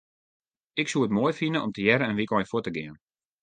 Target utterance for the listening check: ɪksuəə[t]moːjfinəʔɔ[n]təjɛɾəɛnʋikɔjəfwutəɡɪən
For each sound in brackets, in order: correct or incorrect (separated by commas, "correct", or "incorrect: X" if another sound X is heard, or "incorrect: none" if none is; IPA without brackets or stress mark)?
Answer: correct, incorrect: m